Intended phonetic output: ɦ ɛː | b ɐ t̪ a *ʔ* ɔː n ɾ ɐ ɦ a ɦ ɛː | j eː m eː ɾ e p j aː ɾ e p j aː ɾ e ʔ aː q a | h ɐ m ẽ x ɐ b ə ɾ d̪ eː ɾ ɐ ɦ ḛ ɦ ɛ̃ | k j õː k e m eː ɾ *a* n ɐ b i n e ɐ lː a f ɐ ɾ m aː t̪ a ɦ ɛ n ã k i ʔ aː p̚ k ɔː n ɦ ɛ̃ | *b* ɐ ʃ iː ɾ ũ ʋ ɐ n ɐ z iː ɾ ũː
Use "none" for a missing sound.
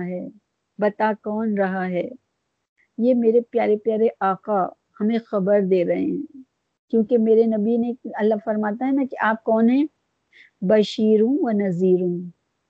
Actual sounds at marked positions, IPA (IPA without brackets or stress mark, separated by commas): k, e, b